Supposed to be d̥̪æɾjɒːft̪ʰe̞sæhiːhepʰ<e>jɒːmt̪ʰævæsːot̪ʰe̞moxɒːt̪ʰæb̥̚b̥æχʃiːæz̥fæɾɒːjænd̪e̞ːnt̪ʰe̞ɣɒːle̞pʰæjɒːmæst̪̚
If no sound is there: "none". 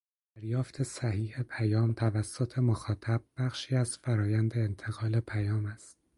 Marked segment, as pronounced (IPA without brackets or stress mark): æ